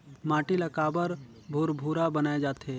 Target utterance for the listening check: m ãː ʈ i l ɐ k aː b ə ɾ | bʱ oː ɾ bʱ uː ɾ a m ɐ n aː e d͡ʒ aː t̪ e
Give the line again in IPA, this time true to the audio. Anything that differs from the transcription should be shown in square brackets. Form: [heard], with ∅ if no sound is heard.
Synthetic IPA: m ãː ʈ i l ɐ k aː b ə ɾ | bʱ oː ɾ bʱ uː ɾ a [b] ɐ n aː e d͡ʒ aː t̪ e